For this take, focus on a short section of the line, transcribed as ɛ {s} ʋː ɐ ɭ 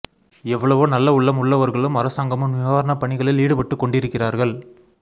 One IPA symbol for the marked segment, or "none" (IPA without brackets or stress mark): none